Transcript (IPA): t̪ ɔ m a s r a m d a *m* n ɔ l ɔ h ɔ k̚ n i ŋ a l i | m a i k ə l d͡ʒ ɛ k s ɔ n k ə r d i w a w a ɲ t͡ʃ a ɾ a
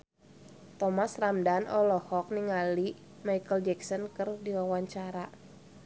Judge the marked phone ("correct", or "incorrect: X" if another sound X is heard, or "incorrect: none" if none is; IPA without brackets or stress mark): incorrect: none